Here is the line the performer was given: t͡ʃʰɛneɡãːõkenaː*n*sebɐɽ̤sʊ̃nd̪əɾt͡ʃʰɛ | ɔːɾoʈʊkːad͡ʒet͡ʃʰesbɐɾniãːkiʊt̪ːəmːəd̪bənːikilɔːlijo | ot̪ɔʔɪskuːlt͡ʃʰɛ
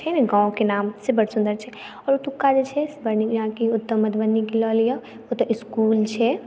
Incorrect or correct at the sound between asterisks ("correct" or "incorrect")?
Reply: incorrect